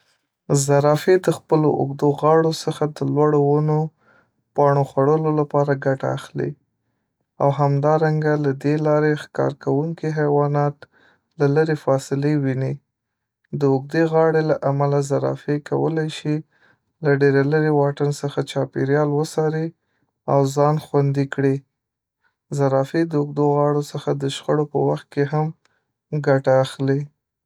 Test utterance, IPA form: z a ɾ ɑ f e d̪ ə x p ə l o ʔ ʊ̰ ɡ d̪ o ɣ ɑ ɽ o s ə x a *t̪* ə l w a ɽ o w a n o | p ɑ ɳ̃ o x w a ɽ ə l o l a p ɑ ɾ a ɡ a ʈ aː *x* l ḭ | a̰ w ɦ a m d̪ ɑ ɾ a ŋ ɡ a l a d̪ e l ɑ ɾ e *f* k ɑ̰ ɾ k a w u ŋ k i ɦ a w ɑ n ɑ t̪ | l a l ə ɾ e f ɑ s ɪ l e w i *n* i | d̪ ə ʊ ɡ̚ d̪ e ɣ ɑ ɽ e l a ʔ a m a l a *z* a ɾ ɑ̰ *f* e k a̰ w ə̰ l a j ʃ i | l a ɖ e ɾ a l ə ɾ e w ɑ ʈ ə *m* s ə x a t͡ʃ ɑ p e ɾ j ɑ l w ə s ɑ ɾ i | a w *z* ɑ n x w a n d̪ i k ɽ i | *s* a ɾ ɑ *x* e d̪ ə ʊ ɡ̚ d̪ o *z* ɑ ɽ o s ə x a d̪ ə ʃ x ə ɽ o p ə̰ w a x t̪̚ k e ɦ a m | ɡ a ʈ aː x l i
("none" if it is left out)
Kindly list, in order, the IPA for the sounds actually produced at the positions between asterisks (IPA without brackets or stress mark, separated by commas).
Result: d̪, x, x, n, z, f, n, z, z, f, ɣ